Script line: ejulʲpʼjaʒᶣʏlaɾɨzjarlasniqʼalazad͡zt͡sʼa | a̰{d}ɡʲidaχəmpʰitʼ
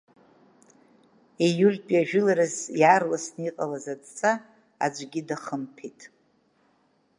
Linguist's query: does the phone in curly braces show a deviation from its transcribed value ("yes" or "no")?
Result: yes